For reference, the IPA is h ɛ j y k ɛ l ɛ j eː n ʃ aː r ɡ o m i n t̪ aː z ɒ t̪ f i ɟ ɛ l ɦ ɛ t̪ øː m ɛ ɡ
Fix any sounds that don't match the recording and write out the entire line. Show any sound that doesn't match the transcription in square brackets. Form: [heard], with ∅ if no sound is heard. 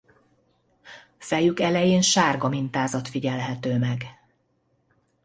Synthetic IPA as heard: [f] ɛ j y k ɛ l ɛ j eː n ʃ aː r ɡ [ɒ] m i n t̪ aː z ɒ t̪ f i ɟ ɛ l ɦ ɛ t̪ øː m ɛ ɡ